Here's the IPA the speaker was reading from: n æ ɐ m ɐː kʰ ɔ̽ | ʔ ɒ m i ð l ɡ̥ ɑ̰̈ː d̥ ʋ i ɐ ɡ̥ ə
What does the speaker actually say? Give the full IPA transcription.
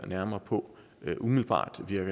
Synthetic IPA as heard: n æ ɐ m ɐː pʰ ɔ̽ | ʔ u m i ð l b̥ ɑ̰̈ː d̥ ʋ i ɐ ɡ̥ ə